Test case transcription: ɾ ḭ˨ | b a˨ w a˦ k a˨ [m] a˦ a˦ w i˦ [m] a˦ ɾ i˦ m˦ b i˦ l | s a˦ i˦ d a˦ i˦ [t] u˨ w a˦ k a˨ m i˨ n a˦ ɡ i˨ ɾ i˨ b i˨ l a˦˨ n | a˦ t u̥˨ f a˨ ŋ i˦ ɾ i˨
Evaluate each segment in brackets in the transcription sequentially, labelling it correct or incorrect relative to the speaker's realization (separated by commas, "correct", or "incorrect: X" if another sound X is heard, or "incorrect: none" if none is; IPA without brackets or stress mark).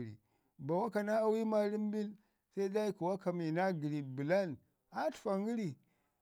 incorrect: n, correct, incorrect: k